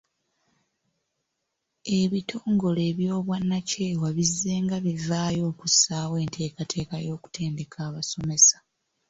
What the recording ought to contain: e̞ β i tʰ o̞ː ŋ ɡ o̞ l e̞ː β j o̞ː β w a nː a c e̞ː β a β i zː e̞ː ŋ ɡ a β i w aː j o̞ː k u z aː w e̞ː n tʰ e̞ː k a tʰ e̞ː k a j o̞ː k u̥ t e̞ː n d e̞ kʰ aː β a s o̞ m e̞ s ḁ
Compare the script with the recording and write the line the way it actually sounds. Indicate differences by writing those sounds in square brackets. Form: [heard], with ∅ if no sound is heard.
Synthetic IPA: e̞ β i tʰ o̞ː ŋ ɡ o̞ l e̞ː β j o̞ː β w a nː a c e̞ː [w] a β i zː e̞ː ŋ ɡ a β i [v] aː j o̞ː k u [s] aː w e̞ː n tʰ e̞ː k a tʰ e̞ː k a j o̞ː k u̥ t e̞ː n d e̞ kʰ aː β a s o̞ m e̞ s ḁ